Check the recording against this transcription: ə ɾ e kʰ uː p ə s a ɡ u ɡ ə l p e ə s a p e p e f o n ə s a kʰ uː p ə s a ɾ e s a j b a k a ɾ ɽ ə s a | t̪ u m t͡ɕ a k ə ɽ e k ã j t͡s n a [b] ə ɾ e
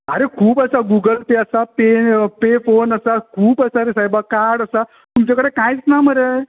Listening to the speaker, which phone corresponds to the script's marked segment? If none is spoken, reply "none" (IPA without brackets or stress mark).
m